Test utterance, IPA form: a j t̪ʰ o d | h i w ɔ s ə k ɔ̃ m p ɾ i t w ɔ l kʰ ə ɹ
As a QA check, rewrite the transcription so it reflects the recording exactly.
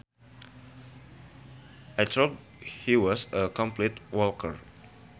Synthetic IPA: a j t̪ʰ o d | h i w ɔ s ə k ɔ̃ m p l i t w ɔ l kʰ ə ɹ